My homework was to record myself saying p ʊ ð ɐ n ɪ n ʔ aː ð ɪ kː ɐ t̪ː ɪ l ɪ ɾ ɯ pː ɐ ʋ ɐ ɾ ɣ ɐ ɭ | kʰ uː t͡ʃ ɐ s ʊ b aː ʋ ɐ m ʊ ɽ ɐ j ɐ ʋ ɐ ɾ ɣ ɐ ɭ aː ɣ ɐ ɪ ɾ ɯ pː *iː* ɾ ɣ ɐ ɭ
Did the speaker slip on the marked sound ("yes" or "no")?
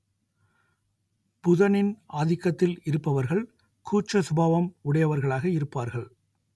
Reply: yes